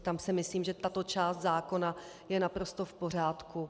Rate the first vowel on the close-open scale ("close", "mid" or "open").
open